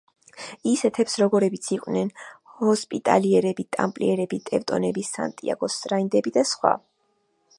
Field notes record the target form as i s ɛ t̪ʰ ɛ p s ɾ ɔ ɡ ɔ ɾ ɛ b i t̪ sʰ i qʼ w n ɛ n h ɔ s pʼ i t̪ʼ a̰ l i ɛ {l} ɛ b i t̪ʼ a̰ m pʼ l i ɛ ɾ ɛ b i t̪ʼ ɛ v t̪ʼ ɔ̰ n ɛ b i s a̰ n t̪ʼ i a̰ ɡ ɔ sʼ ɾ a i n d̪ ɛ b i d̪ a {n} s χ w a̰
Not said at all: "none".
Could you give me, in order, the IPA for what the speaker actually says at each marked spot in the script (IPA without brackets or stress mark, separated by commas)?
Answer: ɾ, none